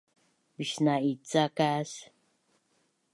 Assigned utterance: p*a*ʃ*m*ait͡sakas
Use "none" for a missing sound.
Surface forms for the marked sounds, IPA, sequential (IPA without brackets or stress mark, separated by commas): i, n